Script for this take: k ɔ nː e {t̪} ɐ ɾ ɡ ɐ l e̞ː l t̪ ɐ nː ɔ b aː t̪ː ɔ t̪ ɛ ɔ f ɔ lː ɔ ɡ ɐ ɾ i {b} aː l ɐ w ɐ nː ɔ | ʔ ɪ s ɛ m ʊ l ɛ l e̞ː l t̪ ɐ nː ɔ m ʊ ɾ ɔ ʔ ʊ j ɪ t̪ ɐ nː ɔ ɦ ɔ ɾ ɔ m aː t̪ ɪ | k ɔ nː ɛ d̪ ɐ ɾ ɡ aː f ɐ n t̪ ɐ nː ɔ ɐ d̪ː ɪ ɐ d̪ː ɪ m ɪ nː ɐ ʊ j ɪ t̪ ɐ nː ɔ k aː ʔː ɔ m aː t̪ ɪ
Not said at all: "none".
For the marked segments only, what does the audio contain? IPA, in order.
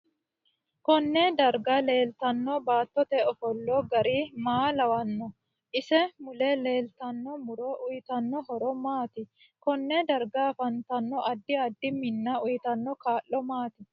d̪, m

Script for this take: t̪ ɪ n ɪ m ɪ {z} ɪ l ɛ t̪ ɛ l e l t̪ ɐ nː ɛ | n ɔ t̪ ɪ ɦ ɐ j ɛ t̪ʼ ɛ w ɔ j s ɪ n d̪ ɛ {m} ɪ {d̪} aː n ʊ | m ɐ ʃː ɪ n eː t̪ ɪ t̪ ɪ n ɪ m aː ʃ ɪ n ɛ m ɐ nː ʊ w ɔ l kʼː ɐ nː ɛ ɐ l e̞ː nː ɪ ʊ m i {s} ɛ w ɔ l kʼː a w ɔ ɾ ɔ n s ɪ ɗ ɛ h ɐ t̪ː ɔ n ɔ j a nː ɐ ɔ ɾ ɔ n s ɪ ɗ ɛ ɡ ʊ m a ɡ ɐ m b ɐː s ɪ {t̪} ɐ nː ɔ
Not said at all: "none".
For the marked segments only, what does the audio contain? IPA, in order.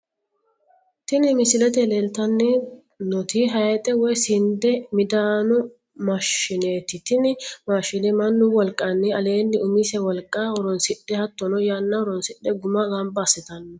s, m, d̪, s, t̪

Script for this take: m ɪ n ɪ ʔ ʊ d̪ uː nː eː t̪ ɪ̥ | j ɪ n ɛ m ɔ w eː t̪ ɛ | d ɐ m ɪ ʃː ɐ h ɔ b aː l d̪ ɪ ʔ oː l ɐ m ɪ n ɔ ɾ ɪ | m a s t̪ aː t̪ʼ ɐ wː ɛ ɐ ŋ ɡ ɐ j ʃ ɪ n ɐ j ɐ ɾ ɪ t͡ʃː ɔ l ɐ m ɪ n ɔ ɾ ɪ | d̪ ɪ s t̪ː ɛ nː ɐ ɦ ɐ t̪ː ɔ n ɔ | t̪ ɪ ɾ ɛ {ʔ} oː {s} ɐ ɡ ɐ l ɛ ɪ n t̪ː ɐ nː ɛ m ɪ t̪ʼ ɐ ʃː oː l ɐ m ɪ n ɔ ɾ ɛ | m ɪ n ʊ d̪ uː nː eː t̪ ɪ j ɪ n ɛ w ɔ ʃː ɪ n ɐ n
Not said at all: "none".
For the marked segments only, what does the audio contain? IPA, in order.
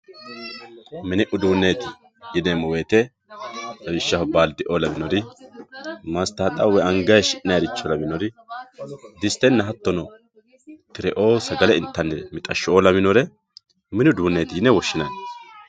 ʔ, s

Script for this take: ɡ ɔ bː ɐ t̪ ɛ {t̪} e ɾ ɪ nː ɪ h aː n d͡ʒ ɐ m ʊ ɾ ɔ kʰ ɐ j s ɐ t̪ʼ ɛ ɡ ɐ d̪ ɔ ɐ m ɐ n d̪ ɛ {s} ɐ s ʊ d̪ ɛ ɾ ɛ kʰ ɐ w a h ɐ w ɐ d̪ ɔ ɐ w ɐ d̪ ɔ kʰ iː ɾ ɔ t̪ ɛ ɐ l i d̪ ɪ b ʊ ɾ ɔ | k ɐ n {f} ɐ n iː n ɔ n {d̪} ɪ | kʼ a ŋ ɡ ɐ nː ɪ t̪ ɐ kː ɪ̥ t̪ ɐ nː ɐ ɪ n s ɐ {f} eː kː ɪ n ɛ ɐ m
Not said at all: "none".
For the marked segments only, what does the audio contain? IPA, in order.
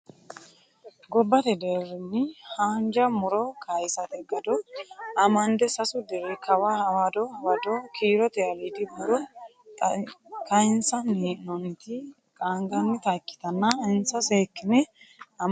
d̪, s, s, t̪, s

